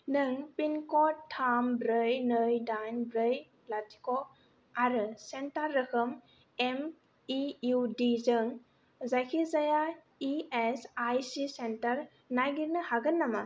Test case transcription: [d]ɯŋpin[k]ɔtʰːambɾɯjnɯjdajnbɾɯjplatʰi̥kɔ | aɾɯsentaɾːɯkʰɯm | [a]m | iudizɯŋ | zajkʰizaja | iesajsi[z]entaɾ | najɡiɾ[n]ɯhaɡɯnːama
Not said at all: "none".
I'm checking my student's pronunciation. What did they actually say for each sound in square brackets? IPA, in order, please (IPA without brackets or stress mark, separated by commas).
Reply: n, k, e, s, n